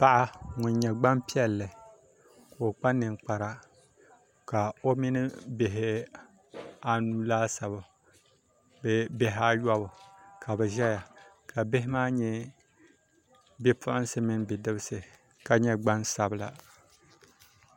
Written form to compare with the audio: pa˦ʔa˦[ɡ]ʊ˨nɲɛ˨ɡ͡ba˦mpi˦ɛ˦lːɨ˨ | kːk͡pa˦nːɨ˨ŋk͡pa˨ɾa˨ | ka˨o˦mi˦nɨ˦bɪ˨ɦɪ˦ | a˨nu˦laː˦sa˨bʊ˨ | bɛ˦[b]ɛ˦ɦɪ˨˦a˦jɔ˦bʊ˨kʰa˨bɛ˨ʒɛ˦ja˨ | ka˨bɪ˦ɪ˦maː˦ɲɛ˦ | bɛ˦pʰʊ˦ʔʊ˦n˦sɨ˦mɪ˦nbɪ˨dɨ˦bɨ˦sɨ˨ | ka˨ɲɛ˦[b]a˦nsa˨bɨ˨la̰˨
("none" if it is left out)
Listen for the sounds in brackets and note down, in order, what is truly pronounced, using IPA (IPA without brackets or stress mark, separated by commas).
ŋ, b, ɡ͡b